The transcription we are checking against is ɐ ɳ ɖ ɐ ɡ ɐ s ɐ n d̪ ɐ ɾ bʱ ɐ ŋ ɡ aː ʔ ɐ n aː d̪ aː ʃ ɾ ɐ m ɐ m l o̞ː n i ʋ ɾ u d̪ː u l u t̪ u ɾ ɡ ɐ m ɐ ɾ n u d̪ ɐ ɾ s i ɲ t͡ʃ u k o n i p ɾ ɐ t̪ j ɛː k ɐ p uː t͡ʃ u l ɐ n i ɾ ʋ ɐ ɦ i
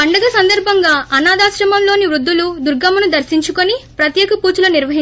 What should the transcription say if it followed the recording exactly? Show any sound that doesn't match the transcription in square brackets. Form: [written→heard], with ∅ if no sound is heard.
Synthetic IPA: ɐ ɳ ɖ ɐ ɡ ɐ s ɐ n d̪ ɐ ɾ bʱ ɐ ŋ ɡ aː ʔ ɐ n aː d̪ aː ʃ ɾ ɐ m ɐ m l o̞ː n i ʋ ɾ u d̪ː u l u [t̪→d̪] u ɾ ɡ ɐ m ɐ [ɾ→∅] n u d̪ ɐ ɾ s i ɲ t͡ʃ u k o n i p ɾ ɐ t̪ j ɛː k ɐ p uː t͡ʃ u l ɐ n i ɾ ʋ ɐ ɦ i